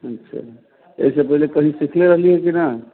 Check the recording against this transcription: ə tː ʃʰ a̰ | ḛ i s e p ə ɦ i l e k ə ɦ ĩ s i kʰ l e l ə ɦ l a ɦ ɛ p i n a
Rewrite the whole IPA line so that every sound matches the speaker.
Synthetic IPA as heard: ə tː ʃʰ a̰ | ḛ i s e p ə ɦ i l e k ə ɦ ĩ s i kʰ l e ɾ ə ɦ l i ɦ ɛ k i n a